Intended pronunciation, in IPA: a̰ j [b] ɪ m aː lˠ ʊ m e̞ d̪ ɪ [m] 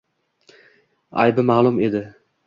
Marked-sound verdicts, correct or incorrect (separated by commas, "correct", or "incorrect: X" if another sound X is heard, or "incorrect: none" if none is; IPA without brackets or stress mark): correct, incorrect: none